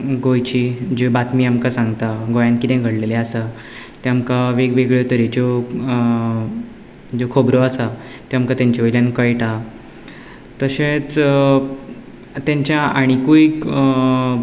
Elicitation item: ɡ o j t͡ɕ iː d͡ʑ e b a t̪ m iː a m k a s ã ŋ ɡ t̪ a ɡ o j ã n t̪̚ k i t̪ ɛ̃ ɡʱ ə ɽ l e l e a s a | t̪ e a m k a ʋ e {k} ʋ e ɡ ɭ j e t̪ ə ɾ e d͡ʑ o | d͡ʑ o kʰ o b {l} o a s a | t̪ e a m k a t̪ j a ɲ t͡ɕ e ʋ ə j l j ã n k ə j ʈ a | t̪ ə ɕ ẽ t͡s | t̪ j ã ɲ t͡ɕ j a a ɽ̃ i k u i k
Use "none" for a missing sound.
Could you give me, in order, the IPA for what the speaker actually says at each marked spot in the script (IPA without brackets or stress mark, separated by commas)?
ɡ, ɾ